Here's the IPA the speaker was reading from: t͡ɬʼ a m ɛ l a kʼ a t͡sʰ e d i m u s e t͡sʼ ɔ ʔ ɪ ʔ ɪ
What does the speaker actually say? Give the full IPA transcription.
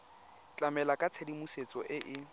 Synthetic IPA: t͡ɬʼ a m ɛ l a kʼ a t͡sʰ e d i m u s e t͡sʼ ɔ ʔ ɪ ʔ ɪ